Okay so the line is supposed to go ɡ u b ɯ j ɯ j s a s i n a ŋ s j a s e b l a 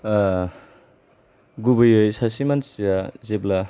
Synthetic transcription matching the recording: ɡ u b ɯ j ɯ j s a s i m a n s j a z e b l a